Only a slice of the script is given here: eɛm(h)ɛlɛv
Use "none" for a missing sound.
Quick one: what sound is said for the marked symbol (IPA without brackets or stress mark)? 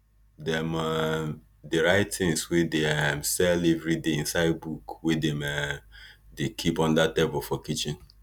s